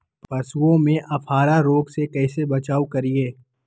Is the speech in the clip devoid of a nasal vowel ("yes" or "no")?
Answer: no